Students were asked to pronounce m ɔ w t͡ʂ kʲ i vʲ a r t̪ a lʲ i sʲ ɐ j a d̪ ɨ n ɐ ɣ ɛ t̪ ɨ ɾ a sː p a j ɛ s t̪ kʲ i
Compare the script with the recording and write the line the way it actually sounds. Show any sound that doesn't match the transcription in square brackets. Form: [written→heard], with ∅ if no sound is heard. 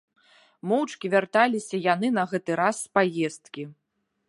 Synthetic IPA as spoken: m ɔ w t͡ʂ kʲ i vʲ a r t̪ a lʲ i sʲ ɐ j a [d̪→n̪] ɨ n ɐ ɣ ɛ t̪ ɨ ɾ a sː p a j ɛ s t̪ kʲ i